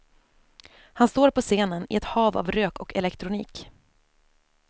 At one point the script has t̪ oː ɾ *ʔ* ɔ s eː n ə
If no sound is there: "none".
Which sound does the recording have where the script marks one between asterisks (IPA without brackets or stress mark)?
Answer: p